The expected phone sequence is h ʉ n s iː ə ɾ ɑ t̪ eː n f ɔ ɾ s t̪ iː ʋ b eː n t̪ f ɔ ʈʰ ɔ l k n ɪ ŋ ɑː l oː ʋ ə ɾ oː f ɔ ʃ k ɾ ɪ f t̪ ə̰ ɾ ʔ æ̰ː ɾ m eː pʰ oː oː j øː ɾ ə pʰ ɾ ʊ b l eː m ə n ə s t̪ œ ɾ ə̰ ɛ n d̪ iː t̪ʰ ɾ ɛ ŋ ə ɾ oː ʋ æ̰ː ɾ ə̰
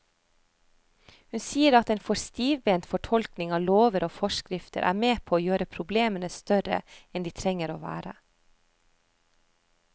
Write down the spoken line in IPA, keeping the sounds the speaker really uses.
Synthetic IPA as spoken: h ʉ n s iː ə ɾ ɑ t̪ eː n f ɔ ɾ s t̪ iː ʋ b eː n t̪ f ɔ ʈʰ ɔ l k n ɪ ŋ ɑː l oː ʋ ə ɾ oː f ɔ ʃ k ɾ ɪ f t̪ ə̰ ɾ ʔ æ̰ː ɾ m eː pʰ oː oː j øː ɾ ə pʰ ɾ ʊ b l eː m ə n ə s t̪ œ ɾ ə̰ ɛ n d̪ iː t̪ʰ ɾ ɛ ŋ ə ɾ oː ʋ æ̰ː ɾ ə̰